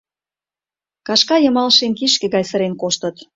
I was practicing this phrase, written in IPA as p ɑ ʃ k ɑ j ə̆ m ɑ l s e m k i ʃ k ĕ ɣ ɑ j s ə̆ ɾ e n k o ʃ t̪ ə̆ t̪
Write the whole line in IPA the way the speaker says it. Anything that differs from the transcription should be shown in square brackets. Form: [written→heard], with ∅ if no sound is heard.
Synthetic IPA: [p→k] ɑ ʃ k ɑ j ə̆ m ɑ l [s→ʃ] e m k i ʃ k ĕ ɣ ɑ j s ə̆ ɾ e n k o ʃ t̪ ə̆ t̪